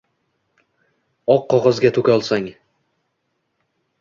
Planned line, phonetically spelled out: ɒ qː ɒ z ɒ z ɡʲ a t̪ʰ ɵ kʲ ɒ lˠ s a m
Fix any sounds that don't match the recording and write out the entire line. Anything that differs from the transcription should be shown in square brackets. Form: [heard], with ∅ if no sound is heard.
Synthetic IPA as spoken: ɒ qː ɒ [ʁ] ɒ z ɡʲ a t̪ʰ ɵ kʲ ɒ lˠ s a [ŋ]